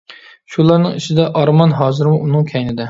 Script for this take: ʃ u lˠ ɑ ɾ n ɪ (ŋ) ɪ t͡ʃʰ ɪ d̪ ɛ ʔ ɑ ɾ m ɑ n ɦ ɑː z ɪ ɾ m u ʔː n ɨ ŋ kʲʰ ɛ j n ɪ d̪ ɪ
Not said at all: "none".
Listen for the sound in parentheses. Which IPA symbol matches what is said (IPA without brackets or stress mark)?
ŋ